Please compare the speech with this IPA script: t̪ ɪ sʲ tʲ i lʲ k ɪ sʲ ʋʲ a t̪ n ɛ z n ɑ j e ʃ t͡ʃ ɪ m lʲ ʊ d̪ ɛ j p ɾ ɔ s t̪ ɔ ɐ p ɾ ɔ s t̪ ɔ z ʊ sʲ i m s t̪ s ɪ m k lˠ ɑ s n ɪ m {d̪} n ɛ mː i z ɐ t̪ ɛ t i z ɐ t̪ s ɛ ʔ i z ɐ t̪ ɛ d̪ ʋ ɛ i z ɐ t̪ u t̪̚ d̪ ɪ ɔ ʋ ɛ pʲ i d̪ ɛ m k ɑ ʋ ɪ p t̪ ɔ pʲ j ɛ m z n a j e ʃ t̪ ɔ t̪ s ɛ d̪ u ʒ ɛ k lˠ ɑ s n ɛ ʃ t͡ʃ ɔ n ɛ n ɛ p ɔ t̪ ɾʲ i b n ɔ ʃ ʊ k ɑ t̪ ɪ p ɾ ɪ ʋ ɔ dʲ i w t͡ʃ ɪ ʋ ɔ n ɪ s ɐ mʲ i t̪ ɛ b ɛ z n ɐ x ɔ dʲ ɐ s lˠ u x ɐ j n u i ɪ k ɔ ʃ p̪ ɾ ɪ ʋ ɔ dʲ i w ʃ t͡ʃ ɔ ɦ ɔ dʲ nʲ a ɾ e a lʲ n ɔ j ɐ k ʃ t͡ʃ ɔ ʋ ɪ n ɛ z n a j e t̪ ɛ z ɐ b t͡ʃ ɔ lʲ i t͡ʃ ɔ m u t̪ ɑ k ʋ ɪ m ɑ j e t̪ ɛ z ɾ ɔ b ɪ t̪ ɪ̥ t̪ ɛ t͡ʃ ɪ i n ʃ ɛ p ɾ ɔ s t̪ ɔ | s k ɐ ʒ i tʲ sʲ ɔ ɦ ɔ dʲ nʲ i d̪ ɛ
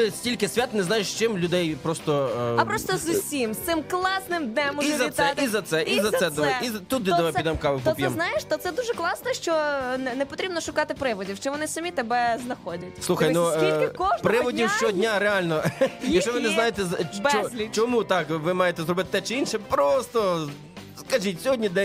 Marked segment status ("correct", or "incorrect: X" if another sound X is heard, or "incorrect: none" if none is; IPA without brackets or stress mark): correct